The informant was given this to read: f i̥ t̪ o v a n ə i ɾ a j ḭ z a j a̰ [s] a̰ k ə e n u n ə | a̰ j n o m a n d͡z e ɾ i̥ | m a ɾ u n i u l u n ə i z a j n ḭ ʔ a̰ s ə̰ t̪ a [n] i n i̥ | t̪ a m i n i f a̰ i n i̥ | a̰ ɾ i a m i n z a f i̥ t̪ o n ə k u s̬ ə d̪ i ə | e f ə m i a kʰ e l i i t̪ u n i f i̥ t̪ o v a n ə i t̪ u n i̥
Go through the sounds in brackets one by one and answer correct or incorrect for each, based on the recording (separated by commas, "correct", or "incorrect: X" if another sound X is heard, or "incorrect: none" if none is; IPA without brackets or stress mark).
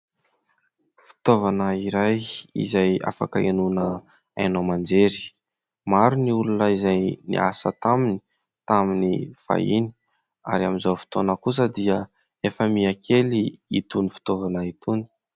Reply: incorrect: f, incorrect: m